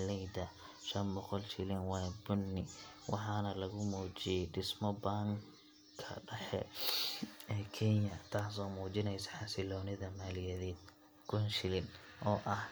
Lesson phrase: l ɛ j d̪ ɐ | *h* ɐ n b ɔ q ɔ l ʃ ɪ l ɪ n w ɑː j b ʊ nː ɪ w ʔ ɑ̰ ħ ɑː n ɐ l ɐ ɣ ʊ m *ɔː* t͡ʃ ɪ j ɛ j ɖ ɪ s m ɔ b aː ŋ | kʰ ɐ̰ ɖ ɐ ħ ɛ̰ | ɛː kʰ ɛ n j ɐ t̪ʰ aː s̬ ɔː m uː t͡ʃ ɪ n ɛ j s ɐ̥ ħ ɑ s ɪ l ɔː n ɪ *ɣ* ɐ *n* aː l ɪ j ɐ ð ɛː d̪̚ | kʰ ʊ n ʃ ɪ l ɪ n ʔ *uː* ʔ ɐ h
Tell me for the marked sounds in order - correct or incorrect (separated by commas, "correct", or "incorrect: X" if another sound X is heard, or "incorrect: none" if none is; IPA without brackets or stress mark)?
incorrect: ʃ, incorrect: uː, incorrect: ð, incorrect: m, incorrect: ɔː